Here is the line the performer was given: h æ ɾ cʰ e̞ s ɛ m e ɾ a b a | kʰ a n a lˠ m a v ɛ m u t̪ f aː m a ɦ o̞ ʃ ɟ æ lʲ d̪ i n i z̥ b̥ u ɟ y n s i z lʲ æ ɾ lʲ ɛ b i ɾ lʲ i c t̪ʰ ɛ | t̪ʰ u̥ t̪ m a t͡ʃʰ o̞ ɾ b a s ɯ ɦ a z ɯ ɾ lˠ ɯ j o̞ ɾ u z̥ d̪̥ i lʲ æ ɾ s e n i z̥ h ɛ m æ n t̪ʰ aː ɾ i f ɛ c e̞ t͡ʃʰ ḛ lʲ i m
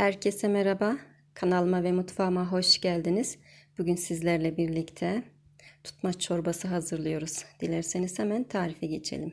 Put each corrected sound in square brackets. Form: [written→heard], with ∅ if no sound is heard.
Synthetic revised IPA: h æ ɾ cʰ e̞ s ɛ m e ɾ a b a | kʰ a n a lˠ m a v ɛ m u t̪ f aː m a ɦ o̞ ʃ ɟ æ lʲ d̪ i n i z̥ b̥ u ɟ y n s i z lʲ æ ɾ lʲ ɛ b i ɾ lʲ i c t̪ʰ ɛ | t̪ʰ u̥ t̪ m a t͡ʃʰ o̞ ɾ b a s ɯ ɦ a z ɯ ɾ lˠ ɯ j o̞ ɾ u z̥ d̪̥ i lʲ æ ɾ s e n i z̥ h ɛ m æ n t̪ʰ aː ɾ i f ɛ [c→ɟ] e̞ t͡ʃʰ ḛ lʲ i m

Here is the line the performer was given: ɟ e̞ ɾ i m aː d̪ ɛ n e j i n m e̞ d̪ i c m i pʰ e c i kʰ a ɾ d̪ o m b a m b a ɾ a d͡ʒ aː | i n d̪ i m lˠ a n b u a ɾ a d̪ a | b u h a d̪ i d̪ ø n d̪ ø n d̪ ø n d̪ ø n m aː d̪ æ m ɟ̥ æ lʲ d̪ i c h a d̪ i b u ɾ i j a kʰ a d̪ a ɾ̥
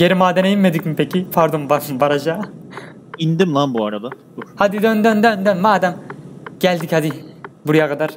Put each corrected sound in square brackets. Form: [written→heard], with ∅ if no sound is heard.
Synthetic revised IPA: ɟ e̞ ɾ i m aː d̪ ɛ n e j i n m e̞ d̪ i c m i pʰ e c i [kʰ→pʰ] a ɾ d̪ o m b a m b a ɾ a d͡ʒ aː | i n d̪ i m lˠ a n b u a ɾ a d̪ a | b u h a d̪ i d̪ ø n d̪ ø n d̪ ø n d̪ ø n m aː d̪ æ m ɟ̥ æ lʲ d̪ i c h a d̪ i b u ɾ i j a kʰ a d̪ a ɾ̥

